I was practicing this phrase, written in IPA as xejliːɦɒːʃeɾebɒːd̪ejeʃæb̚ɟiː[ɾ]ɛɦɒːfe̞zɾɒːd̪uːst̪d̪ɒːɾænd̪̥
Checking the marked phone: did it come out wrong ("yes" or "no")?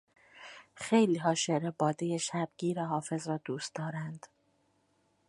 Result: no